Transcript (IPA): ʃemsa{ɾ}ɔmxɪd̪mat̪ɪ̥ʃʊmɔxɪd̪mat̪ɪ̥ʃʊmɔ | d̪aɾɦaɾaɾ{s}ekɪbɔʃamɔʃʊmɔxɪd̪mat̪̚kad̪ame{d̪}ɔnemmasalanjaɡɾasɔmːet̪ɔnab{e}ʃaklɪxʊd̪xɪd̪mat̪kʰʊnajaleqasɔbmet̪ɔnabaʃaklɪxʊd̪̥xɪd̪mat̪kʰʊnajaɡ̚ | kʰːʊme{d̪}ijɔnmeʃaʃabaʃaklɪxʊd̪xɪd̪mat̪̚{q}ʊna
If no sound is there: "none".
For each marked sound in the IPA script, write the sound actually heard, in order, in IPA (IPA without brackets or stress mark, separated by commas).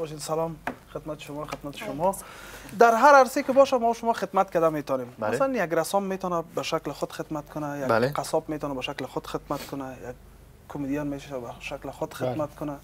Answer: l, s, t̪, a, d̪, k